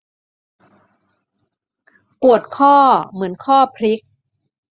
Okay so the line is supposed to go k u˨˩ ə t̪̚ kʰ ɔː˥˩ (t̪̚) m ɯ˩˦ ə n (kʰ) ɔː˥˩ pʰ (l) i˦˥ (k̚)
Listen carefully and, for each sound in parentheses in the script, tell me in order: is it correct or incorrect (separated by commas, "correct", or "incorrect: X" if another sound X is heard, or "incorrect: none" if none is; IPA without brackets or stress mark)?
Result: incorrect: none, correct, incorrect: ɾ, correct